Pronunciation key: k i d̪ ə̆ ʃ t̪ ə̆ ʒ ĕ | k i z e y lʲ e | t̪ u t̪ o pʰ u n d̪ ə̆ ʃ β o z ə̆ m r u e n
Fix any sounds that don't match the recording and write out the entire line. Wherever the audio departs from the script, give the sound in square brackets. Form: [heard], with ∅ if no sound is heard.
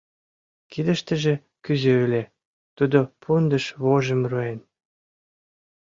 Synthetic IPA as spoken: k i d̪ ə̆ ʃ t̪ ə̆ ʒ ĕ | k [y] z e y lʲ e | t̪ u [d̪] o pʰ u n d̪ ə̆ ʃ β o [ʒ] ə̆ m r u e n